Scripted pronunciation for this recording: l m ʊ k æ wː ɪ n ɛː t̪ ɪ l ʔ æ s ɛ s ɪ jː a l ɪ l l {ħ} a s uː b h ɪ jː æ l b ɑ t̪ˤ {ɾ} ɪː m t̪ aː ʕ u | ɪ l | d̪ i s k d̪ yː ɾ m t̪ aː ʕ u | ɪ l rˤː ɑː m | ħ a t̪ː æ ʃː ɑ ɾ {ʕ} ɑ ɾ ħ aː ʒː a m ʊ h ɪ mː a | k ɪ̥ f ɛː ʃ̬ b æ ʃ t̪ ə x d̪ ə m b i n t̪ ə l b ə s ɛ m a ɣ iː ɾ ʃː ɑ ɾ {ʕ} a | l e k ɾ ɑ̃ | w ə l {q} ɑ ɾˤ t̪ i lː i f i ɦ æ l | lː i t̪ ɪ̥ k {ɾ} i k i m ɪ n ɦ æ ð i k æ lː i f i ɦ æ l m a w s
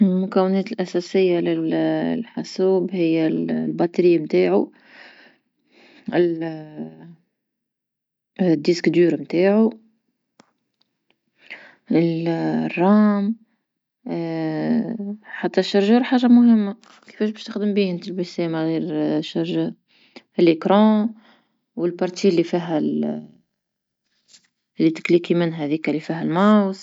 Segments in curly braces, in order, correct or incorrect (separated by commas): correct, correct, incorrect, incorrect, incorrect, incorrect